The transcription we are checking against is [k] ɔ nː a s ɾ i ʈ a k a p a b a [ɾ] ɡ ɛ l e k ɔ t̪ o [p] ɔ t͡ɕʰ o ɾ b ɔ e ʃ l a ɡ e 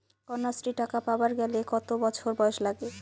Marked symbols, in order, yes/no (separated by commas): yes, yes, no